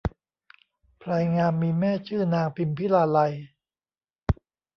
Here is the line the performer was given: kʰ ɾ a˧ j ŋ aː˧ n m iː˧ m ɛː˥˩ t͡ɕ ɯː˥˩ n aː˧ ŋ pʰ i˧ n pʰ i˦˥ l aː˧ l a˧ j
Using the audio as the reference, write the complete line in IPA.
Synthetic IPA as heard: pʰ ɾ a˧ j ŋ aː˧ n m iː˧ m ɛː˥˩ t͡ɕʰ ɯː˥˩ n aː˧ ŋ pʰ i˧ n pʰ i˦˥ l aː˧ l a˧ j